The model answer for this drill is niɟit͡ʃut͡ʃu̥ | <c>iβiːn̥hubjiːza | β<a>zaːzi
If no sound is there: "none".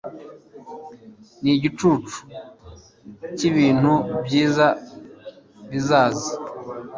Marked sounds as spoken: c, i

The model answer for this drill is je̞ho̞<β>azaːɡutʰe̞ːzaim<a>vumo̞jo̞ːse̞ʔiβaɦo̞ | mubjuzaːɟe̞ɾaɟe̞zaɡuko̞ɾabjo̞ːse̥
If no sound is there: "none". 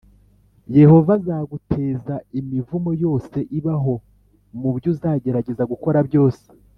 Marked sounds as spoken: v, i

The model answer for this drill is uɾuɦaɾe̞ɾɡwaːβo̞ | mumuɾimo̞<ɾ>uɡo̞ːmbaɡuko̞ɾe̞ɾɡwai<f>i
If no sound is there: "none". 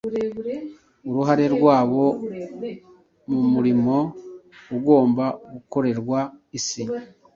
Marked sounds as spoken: none, s

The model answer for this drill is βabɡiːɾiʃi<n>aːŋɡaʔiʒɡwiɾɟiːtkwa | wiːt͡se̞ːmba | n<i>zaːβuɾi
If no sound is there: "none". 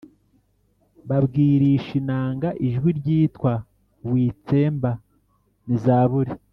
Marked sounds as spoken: n, i

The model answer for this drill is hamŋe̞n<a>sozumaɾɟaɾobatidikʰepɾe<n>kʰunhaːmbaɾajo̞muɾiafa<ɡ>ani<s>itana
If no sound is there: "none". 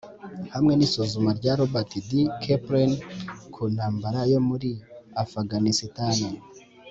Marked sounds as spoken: i, n, ɡ, s

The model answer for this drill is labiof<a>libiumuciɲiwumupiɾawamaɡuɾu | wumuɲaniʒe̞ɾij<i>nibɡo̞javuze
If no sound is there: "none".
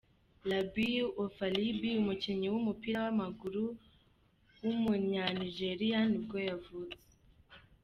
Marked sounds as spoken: a, a

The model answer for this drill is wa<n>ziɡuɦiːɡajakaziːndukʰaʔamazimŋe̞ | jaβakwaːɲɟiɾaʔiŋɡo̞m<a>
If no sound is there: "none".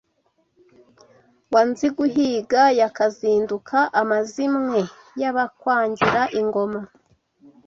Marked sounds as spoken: n, a

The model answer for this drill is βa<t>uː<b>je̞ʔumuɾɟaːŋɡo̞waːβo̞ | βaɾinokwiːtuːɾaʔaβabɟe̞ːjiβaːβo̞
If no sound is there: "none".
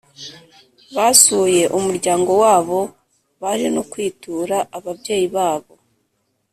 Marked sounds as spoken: s, none

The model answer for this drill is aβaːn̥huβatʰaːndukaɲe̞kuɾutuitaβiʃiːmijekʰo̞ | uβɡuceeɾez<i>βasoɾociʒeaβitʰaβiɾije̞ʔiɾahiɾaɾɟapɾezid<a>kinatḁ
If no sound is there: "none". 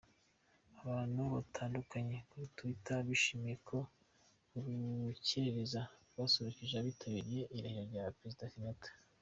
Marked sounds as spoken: a, a

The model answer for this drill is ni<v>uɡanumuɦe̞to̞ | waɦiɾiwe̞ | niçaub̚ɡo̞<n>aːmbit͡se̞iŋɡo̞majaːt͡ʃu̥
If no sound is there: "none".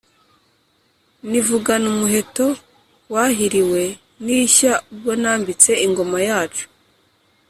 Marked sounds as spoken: v, n

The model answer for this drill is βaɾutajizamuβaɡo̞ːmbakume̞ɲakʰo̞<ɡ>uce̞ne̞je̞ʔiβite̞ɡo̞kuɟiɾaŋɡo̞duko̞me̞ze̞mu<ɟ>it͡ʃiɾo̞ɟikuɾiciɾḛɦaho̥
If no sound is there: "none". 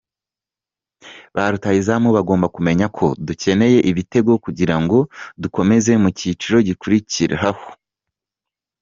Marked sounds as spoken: d, c

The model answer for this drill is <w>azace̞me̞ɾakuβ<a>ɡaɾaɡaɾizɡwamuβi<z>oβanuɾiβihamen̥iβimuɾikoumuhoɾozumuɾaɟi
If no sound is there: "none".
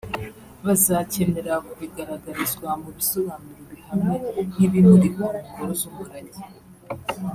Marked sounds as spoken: β, i, s

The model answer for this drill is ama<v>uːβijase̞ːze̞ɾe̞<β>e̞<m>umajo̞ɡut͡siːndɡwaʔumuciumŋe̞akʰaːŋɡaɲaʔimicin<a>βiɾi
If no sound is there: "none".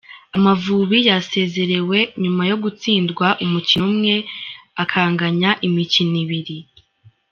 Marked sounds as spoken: v, w, ɲ, i

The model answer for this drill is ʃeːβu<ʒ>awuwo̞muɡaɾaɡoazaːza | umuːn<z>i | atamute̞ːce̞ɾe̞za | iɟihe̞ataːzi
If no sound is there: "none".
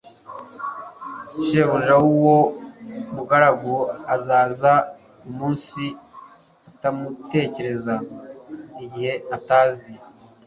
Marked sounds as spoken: ʒ, s

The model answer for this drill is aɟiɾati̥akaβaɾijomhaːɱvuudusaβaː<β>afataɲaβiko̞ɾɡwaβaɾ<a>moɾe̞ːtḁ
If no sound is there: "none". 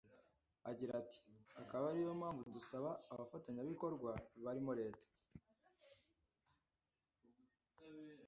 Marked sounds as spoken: β, i

